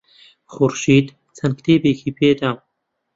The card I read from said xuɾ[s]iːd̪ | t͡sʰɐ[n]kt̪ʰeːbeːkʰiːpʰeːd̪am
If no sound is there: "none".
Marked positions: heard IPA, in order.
ʃ, n

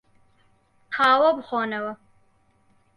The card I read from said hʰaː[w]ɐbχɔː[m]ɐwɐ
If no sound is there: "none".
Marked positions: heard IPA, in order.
w, n

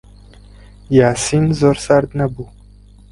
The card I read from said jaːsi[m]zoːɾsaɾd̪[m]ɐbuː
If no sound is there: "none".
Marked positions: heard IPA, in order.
n, n

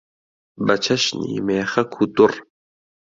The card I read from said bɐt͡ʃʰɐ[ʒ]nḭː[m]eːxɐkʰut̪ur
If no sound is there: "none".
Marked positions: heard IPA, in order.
ʃ, m

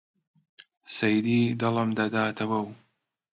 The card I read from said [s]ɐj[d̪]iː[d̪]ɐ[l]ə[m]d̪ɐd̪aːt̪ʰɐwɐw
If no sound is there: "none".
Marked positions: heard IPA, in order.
s, d̪, d̪, l, m

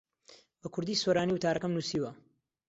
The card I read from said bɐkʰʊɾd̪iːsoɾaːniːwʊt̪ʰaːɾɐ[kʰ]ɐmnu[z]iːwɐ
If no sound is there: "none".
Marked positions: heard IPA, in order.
k, s

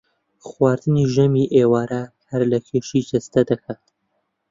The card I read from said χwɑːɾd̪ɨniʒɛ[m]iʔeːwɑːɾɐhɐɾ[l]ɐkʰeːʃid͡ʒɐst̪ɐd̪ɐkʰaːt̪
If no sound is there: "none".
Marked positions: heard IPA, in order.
m, l

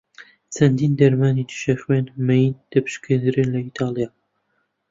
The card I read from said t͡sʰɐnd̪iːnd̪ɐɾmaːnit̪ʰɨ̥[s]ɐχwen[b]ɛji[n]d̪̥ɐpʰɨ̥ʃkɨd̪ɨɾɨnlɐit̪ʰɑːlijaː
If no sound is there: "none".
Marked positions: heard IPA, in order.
ʃ, m, n

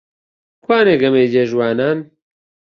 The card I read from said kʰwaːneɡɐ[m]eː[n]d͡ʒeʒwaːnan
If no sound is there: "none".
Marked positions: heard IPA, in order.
m, none

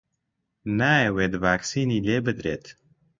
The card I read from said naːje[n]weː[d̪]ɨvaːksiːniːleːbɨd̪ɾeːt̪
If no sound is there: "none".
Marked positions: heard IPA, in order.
none, d̪

